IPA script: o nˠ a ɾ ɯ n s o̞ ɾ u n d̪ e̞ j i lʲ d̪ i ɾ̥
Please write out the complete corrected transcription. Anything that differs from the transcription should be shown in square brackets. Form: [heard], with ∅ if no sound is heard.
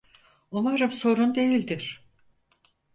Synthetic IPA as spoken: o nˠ a ɾ ɯ [m] s o̞ ɾ u n d̪ e̞ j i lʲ d̪ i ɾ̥